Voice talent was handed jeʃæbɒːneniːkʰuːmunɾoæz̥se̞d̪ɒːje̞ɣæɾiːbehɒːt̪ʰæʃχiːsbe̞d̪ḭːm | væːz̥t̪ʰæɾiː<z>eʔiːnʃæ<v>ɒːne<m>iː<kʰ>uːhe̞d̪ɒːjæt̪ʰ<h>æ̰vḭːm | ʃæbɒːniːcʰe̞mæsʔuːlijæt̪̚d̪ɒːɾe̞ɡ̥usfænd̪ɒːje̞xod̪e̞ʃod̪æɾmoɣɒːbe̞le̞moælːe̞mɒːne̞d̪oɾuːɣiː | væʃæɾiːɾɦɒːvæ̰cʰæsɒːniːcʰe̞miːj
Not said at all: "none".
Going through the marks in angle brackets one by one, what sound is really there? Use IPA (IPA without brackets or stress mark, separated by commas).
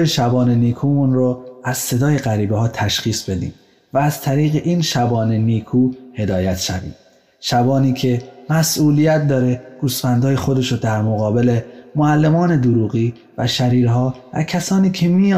ɣ, b, n, kʰ, ʃ